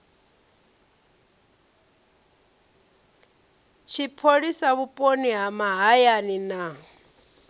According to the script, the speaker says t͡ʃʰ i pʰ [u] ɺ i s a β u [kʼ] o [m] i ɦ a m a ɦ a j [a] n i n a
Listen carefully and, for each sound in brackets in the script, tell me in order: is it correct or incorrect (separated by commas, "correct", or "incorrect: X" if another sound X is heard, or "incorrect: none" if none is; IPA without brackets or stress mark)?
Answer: incorrect: o, incorrect: pʼ, incorrect: n, correct